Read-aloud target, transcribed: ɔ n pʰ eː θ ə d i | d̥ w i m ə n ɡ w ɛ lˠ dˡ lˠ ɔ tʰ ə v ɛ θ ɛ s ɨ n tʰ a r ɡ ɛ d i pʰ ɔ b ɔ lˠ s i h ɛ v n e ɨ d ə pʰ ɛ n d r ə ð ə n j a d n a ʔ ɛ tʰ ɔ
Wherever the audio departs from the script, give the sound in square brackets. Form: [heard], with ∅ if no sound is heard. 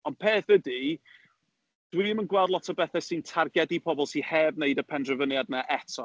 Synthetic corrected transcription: ɔ n pʰ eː θ ə d i | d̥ w i m ə n ɡ w ɛ lˠ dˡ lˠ ɔ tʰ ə [b] ɛ θ ɛ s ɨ n tʰ a r ɡ ɛ d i pʰ ɔ b ɔ lˠ s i h ɛ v n e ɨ d ə pʰ ɛ n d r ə [v] ə n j a d n a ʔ ɛ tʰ ɔ